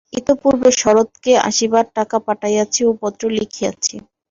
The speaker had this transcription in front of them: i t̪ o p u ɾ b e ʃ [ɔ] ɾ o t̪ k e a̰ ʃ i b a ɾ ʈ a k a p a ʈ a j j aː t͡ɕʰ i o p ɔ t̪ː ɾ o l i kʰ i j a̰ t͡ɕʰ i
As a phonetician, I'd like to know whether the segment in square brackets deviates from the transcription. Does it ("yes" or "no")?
no